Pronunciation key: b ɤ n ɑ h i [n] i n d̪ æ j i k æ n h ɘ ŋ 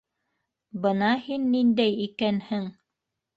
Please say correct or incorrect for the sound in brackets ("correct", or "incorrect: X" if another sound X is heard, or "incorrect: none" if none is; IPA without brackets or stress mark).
incorrect: nː